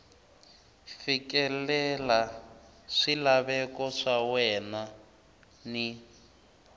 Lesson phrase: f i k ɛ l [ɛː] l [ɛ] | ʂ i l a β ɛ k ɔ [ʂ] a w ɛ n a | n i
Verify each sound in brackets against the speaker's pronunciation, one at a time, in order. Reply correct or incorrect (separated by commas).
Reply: incorrect, incorrect, correct